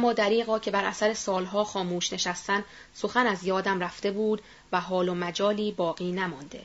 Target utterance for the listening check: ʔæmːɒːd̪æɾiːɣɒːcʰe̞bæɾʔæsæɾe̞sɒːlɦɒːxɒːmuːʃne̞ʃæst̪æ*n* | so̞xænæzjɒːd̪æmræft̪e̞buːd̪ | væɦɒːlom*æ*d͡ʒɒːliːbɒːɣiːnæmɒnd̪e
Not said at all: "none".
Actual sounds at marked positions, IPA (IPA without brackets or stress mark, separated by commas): n, æ